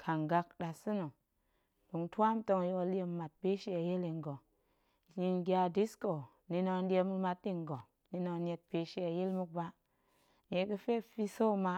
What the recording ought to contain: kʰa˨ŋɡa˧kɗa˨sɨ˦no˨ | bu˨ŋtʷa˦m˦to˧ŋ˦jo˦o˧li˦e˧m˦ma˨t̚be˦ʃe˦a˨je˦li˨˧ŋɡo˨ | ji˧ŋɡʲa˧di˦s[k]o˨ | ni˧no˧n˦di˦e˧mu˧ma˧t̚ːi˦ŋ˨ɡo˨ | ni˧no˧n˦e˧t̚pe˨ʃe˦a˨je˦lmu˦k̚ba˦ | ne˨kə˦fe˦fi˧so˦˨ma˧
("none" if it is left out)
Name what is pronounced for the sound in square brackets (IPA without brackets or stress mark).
k